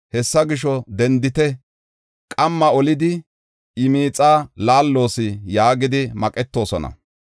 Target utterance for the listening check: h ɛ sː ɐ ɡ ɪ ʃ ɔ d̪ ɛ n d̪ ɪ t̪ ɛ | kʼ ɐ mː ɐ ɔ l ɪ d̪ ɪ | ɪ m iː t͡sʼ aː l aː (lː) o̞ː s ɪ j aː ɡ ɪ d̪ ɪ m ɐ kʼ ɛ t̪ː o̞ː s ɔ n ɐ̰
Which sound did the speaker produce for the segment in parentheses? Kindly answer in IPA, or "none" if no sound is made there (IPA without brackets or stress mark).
lː